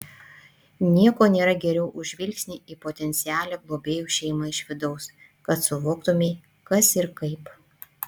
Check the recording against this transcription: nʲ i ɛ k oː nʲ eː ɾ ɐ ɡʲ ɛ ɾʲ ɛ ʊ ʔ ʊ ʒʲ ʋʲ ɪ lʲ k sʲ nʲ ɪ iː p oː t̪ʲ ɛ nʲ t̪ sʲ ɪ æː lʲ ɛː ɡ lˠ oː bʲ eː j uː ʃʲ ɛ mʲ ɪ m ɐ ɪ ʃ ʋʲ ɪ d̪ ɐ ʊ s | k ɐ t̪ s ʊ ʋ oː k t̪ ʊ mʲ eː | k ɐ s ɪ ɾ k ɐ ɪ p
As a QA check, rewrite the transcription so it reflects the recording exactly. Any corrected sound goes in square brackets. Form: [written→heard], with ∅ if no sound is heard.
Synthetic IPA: nʲ i ɛ k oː nʲ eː ɾ ɐ ɡʲ ɛ ɾʲ ɛ ʊ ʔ ʊ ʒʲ ʋʲ ɪ lʲ k sʲ nʲ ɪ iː p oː t̪ʲ ɛ nʲ t̪ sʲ ɪ æː lʲ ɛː ɡ lˠ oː bʲ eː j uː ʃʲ ɛ [mʲ→∅] ɪ m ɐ ɪ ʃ ʋʲ ɪ d̪ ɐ ʊ s | k ɐ t̪ s ʊ ʋ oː k t̪ ʊ mʲ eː | k ɐ s ɪ ɾ k ɐ ɪ p

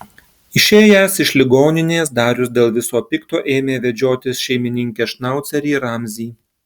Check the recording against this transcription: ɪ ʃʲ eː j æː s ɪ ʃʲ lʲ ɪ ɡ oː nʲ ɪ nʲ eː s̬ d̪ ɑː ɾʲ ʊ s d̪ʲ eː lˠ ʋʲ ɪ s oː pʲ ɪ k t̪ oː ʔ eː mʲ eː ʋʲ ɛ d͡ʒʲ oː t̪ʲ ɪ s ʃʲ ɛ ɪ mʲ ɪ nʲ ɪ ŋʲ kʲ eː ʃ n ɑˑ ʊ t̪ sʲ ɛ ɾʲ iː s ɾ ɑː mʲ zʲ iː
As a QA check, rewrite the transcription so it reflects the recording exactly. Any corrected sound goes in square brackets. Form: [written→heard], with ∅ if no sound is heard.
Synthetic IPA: ɪ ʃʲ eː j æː s ɪ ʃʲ lʲ ɪ ɡ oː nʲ ɪ nʲ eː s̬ d̪ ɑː ɾʲ ʊ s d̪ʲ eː lˠ ʋʲ ɪ s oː pʲ ɪ k t̪ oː ʔ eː mʲ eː ʋʲ ɛ d͡ʒʲ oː t̪ʲ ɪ s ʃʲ ɛ ɪ mʲ ɪ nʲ ɪ ŋʲ kʲ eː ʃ n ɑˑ ʊ t̪ sʲ ɛ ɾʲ iː [s→∅] ɾ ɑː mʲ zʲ iː

